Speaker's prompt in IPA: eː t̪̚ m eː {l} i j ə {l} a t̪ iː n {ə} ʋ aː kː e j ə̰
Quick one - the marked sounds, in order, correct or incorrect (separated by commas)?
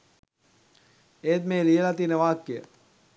correct, correct, correct